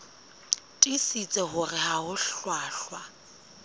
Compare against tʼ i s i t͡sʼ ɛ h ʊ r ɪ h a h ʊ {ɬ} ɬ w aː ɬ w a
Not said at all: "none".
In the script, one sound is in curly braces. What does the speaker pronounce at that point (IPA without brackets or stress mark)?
ɬ